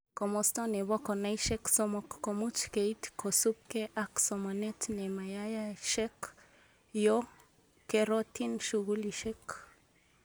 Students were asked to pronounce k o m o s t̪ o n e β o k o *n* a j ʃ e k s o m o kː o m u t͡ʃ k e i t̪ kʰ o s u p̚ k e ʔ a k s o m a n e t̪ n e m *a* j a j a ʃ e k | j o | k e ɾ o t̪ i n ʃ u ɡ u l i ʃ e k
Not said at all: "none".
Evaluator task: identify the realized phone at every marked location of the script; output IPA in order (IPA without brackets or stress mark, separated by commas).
n, a